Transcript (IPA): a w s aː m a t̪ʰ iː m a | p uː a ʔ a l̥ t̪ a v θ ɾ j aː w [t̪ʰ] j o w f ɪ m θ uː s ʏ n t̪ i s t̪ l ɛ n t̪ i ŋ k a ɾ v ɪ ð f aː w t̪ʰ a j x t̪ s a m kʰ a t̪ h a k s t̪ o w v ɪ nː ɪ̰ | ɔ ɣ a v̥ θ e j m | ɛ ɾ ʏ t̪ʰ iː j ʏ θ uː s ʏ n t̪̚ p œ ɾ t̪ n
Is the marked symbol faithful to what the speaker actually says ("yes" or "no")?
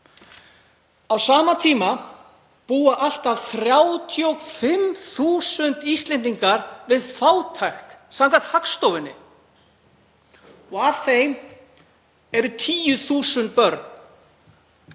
yes